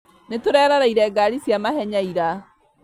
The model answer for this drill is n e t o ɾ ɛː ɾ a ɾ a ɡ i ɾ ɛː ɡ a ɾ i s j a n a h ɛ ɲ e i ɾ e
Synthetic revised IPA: n e t o ɾ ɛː ɾ a ɾ a i ɾ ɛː ɡ a ɾ i s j a m a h ɛ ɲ a i ɾ a